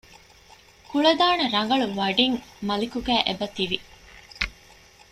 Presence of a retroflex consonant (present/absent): present